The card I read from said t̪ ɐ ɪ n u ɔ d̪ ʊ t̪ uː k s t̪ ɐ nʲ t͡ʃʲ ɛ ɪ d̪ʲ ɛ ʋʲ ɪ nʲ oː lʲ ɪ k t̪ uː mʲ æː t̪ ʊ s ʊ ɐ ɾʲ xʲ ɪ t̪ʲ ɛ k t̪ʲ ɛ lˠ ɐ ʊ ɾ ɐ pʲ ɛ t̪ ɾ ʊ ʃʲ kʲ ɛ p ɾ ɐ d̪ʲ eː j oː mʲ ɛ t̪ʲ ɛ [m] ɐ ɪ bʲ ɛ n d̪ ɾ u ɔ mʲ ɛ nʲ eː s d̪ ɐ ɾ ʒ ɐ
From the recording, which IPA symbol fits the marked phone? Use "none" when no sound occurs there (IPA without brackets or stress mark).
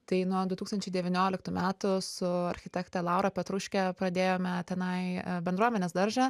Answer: n